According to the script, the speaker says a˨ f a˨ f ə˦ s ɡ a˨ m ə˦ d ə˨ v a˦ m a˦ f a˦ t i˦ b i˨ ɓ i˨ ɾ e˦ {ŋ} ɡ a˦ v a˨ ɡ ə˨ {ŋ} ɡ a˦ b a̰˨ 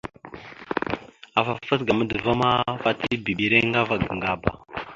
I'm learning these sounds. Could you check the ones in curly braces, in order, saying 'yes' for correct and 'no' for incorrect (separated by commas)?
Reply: yes, yes